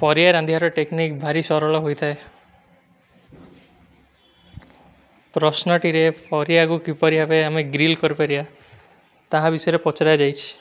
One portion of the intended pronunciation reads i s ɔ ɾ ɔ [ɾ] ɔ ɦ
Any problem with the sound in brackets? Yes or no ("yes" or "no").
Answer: yes